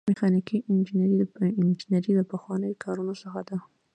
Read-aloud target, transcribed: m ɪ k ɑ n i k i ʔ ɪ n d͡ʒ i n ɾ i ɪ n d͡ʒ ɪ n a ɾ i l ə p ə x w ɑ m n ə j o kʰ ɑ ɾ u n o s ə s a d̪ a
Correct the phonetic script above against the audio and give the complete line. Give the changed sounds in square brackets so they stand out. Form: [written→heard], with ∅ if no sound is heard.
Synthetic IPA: m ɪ [k→x] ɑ n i k i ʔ ɪ n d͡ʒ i n ɾ i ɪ n d͡ʒ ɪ n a ɾ i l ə p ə x w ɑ [m→∅] n ə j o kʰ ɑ ɾ u n o s ə [s→x] a d̪ a